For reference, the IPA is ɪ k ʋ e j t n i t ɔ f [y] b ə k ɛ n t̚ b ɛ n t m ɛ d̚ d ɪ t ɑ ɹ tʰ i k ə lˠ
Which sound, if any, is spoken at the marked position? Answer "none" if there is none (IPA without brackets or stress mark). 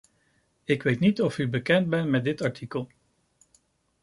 y